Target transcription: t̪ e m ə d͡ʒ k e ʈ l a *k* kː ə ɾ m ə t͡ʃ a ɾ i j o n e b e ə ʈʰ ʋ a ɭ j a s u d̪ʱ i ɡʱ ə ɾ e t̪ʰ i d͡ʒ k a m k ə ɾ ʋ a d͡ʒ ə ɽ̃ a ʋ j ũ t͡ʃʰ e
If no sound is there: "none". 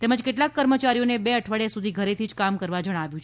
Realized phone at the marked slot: k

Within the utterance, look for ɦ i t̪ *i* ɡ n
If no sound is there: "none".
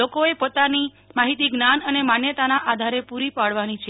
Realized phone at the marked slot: i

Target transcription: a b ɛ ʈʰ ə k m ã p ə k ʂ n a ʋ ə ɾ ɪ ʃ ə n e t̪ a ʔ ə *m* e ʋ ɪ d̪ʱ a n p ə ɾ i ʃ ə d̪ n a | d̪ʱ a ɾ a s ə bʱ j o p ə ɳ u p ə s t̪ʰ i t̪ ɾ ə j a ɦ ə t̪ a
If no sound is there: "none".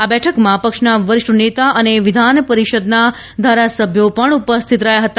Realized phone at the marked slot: n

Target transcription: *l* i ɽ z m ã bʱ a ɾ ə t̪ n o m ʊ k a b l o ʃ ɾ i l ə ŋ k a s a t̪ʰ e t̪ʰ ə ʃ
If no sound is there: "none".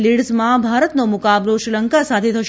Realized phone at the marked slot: l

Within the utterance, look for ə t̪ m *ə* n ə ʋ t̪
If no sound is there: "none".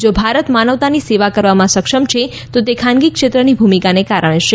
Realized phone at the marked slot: a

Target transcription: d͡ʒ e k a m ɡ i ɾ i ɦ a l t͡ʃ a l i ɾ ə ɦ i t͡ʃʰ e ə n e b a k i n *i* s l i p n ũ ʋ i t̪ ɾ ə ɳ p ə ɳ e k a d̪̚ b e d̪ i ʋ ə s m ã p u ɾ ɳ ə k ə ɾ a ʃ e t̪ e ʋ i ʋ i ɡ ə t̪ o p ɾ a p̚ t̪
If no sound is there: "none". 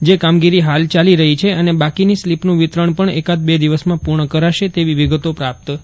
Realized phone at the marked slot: i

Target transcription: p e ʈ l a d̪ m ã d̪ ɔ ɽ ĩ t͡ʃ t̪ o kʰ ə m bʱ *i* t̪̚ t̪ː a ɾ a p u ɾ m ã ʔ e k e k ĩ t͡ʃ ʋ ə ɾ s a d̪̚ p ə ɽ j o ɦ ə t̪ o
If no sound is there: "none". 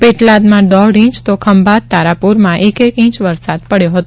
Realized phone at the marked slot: a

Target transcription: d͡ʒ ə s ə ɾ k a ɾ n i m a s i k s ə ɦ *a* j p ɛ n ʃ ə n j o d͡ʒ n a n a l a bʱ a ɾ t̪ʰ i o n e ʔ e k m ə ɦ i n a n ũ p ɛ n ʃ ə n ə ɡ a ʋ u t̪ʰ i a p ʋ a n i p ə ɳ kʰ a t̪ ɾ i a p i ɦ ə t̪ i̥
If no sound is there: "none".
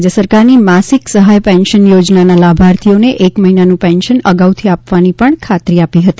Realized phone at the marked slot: a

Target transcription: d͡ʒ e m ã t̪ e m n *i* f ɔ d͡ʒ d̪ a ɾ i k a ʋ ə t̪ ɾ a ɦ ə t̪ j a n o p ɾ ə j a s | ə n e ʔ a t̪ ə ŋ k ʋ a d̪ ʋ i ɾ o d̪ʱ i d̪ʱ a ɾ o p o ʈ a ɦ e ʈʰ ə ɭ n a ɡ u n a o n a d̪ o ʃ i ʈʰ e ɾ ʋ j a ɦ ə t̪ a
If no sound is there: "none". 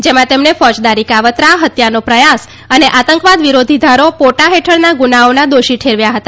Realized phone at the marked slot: e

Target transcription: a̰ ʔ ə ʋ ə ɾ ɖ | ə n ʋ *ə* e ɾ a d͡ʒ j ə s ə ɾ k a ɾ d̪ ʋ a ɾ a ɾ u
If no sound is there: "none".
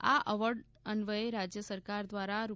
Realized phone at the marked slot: ə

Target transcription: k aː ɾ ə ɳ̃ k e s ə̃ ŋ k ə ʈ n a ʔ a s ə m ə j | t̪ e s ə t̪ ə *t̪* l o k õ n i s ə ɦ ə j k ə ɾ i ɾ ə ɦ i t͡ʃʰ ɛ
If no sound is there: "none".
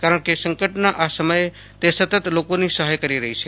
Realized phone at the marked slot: t̪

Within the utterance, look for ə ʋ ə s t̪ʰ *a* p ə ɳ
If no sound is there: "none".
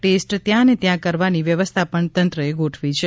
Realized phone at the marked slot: a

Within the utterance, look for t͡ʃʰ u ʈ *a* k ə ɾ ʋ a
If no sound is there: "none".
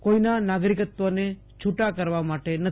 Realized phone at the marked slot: a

